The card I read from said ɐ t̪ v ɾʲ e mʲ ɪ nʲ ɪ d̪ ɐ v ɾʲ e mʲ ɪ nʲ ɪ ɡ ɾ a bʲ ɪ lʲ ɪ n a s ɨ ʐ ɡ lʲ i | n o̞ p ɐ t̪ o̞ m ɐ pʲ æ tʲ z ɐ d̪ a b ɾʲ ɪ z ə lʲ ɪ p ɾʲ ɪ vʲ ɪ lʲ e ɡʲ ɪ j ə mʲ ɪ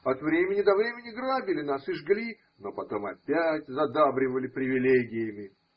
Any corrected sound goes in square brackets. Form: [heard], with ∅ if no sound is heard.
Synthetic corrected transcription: ɐ t̪ v ɾʲ e mʲ ɪ nʲ ɪ d̪ ɐ v ɾʲ e mʲ ɪ nʲ ɪ ɡ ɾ a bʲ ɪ lʲ ɪ n a s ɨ ʐ ɡ lʲ i | n o̞ p ɐ t̪ o̞ m ɐ pʲ æ tʲ z ɐ d̪ a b ɾʲ ɪ [v] ə lʲ ɪ p ɾʲ ɪ vʲ ɪ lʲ e ɡʲ ɪ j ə mʲ ɪ